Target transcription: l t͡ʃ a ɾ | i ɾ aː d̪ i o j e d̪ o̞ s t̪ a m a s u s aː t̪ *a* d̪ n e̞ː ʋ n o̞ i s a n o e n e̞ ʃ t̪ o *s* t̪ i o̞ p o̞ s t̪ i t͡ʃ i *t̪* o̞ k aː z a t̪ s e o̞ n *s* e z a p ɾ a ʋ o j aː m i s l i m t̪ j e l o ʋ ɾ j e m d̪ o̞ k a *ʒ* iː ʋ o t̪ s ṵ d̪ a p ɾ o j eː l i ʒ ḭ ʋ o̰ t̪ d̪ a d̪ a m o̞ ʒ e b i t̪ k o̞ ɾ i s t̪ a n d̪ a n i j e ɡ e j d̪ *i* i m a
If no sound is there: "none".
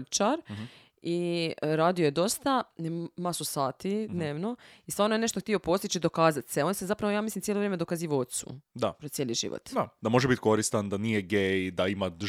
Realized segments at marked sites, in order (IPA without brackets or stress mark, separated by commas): i, x, d̪, s, z, a